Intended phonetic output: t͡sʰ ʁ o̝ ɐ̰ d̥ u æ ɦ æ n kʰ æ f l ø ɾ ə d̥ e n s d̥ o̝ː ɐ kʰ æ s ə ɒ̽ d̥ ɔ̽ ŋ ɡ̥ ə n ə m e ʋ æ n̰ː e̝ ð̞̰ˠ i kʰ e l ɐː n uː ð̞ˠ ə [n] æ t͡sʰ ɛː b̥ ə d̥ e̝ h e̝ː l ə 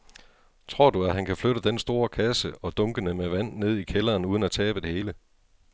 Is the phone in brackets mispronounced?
no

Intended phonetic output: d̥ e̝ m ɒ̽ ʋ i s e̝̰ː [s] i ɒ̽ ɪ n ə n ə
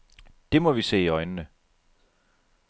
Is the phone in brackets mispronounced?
yes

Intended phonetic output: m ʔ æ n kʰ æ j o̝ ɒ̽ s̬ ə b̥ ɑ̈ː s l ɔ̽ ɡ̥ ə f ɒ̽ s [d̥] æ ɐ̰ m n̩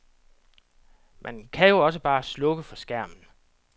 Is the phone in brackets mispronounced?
yes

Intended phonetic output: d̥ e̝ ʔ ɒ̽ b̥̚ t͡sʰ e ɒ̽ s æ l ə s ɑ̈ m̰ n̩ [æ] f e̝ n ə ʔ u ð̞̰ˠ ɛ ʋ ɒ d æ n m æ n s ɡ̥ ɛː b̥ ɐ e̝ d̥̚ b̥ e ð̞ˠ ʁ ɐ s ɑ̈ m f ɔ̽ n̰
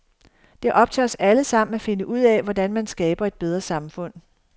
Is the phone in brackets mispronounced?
no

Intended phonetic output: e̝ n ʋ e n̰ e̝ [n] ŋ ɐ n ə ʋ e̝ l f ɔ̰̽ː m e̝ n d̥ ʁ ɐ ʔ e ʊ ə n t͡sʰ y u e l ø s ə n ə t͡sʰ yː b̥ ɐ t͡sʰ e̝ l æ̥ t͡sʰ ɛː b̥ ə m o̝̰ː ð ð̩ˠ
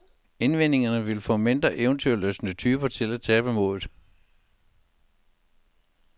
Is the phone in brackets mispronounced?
yes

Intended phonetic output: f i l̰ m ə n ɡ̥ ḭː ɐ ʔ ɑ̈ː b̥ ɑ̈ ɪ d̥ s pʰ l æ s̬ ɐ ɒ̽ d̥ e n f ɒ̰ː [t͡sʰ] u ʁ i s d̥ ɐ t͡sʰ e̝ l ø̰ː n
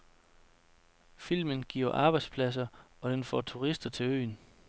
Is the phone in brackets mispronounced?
no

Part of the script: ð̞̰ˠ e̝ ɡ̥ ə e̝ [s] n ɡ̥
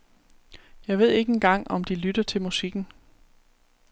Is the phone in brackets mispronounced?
yes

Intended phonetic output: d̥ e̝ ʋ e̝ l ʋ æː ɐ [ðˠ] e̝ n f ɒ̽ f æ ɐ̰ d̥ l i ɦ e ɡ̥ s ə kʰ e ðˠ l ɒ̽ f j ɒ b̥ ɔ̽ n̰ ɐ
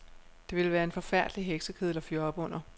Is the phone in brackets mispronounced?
yes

